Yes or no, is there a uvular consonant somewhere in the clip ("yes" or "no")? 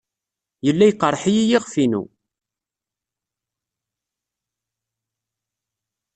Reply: yes